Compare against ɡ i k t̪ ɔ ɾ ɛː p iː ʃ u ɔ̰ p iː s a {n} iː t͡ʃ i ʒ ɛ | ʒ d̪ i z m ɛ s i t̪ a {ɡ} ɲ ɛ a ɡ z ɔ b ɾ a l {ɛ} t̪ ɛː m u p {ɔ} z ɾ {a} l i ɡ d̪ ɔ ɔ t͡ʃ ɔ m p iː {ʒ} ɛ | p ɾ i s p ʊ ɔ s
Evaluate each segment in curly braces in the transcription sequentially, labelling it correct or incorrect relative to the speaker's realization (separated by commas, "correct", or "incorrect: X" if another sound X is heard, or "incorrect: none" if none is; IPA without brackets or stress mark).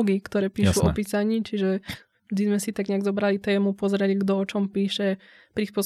incorrect: ɲ, correct, incorrect: i, correct, incorrect: ɛ, incorrect: ʃ